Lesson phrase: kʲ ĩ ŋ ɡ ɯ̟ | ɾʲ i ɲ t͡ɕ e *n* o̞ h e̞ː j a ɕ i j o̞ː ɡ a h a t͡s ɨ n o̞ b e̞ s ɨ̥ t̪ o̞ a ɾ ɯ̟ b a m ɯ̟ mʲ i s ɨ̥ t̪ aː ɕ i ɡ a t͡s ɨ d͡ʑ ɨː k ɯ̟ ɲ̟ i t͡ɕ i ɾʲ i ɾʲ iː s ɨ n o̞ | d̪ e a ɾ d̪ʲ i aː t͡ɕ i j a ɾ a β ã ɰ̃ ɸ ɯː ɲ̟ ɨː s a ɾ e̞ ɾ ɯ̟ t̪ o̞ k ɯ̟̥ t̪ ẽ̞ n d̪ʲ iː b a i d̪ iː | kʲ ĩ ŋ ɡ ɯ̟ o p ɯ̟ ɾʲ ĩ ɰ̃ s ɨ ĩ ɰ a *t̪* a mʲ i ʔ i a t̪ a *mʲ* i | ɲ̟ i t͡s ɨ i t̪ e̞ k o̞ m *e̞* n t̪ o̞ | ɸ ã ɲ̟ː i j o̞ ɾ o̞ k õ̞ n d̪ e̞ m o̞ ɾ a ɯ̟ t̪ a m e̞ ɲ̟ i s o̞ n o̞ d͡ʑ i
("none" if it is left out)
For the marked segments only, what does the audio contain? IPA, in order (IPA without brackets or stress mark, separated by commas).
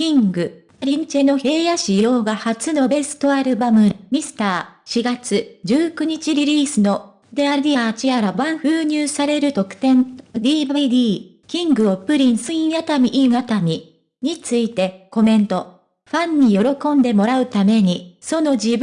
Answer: n, t̪, mʲ, ẽ̞